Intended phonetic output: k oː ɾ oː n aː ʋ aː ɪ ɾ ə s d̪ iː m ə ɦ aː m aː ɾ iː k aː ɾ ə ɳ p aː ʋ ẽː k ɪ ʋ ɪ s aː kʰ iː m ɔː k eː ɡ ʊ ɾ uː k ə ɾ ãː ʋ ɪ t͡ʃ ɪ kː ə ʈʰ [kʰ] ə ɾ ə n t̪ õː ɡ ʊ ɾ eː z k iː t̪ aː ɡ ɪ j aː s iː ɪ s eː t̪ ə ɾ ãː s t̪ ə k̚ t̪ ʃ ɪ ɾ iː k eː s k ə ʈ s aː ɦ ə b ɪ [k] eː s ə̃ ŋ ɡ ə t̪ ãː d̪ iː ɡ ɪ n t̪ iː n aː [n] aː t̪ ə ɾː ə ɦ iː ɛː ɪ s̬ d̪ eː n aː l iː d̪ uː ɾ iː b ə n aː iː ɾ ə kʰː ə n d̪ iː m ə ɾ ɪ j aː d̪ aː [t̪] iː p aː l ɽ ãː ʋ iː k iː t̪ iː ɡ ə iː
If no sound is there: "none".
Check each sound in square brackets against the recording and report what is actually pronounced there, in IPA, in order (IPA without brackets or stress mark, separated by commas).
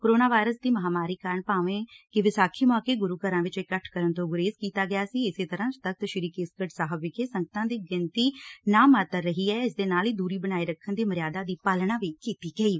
k, k, m, d̪